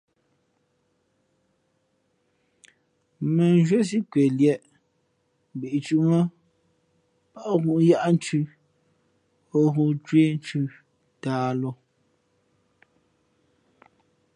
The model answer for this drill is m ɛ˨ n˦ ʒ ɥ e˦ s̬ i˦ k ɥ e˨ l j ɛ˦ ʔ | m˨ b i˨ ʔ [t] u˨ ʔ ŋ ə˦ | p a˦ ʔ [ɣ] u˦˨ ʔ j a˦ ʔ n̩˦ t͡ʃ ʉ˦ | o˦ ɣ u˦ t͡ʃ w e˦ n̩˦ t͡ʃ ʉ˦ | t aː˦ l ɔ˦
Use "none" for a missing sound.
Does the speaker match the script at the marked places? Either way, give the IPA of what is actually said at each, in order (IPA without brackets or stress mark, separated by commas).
t͡ʃ, ɣ